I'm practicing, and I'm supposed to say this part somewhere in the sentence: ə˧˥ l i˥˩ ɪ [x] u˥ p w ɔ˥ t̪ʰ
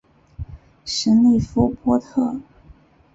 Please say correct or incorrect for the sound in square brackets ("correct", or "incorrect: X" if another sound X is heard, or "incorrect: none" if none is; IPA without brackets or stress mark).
incorrect: f